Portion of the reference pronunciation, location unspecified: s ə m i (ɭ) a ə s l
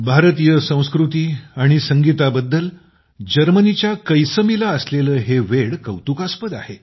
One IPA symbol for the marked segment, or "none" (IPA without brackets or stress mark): l